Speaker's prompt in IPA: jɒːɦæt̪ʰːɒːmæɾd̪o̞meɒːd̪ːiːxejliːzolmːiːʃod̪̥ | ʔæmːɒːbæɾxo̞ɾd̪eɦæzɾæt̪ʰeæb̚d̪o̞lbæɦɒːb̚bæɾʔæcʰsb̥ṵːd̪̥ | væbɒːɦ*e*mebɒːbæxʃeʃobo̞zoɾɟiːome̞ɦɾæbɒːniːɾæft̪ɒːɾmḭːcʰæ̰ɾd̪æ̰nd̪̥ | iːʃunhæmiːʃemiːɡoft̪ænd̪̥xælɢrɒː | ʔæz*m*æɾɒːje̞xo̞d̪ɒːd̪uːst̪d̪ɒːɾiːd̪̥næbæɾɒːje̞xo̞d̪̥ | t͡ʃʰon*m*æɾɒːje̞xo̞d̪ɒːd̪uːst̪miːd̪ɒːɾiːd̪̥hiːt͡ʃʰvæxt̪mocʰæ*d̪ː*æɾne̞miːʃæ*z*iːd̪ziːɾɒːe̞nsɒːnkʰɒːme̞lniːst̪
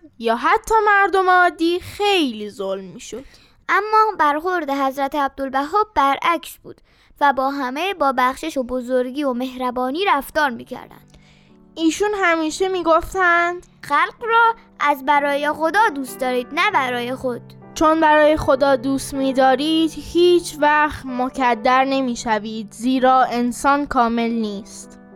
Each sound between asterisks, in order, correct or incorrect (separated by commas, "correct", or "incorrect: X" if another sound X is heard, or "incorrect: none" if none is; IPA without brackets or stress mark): incorrect: æ, incorrect: b, incorrect: b, correct, incorrect: v